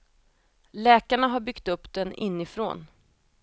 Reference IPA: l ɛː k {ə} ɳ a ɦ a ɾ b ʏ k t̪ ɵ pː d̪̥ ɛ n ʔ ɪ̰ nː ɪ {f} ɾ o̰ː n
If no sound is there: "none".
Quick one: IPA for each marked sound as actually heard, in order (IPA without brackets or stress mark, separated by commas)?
a, f